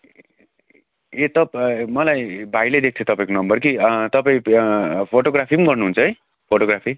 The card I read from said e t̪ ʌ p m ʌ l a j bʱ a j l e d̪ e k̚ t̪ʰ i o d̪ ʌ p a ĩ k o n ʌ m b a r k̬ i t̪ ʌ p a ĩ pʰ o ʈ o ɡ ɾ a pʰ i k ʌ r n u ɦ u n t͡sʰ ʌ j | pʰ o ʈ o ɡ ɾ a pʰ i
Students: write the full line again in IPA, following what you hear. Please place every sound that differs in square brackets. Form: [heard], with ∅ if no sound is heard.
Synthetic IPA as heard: e t̪ ʌ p m ʌ l a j bʱ a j l e d̪ e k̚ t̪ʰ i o [t̪] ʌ p a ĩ k o n ʌ m b [ʌ] r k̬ i t̪ ʌ p a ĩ pʰ o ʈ o ɡ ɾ a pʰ i [ɡ] ʌ r n u ɦ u n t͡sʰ ʌ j | pʰ o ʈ o ɡ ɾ a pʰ i

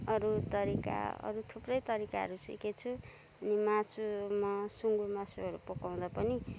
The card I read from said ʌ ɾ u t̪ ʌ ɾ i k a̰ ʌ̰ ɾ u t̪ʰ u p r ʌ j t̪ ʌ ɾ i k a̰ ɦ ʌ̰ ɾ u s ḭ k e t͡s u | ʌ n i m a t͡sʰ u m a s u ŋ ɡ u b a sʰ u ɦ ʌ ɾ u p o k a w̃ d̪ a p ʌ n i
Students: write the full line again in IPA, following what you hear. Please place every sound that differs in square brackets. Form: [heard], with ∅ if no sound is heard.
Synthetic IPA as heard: ʌ ɾ u t̪ ʌ ɾ i k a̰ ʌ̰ ɾ u t̪ʰ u p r ʌ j t̪ ʌ ɾ i k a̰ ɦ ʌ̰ ɾ u s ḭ k e [t͡sʰ] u | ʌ n i m a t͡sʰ u m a s u ŋ ɡ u [m] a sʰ u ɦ ʌ ɾ u p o k a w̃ d̪ a p ʌ n i

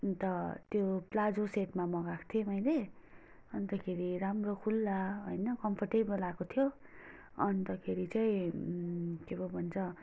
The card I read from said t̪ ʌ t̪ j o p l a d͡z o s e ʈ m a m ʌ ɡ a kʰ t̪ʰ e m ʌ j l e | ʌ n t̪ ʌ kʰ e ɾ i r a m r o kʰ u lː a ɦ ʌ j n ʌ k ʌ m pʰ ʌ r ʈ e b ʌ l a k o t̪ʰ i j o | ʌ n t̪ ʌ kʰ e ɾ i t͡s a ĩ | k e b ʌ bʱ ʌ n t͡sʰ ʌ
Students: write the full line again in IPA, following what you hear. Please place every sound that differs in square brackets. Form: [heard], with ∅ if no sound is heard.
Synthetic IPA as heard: t̪ ʌ t̪ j o p l a d͡z o s e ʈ m a m ʌ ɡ a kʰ t̪ʰ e m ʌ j l e | ʌ n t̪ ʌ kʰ e ɾ i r a m r o kʰ u lː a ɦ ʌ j n ʌ k ʌ m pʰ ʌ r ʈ e b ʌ l a k o t̪ʰ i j o | ʌ n t̪ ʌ kʰ e ɾ i t͡s a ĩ | k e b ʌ bʱ ʌ n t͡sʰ ʌ

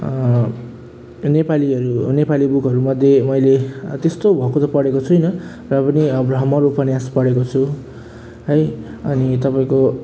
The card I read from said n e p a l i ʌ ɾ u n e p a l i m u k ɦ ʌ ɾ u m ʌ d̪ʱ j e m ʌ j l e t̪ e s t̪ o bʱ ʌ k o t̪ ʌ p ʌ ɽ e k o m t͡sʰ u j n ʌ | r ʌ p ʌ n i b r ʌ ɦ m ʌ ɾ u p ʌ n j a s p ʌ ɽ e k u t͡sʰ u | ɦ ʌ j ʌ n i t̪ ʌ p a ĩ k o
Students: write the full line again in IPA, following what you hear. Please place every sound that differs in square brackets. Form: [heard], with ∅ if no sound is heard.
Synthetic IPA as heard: n e p a l i ʌ ɾ u n e p a l i [b] u k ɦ ʌ ɾ u m ʌ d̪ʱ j e m ʌ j l e t̪ e s t̪ o bʱ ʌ k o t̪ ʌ p ʌ ɽ e k o [∅] t͡sʰ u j n ʌ | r ʌ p ʌ n i b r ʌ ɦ m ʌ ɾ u p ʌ n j a s p ʌ ɽ e k [o] t͡sʰ u | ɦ ʌ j ʌ n i t̪ ʌ p a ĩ k o

